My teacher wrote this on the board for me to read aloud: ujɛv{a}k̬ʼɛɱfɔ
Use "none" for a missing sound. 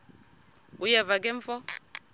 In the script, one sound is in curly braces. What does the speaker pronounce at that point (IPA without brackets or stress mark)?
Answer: a